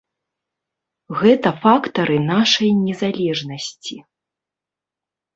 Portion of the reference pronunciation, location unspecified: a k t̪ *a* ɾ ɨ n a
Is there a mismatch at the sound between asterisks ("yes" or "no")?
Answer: yes